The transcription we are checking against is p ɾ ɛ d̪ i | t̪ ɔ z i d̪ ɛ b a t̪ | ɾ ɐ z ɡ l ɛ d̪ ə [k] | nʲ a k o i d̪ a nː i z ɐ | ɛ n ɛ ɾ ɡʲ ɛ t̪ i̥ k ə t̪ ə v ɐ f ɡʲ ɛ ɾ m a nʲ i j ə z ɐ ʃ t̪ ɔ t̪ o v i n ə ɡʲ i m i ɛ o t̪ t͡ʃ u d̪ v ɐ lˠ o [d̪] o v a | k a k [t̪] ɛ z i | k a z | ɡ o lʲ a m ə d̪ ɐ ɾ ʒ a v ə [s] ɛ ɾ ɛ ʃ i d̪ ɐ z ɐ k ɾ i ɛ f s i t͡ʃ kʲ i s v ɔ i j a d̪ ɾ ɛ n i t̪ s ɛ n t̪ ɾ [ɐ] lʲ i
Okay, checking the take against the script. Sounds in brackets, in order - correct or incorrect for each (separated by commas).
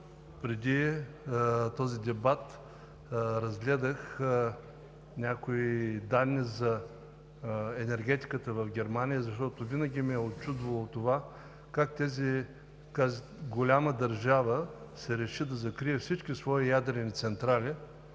incorrect, incorrect, correct, correct, incorrect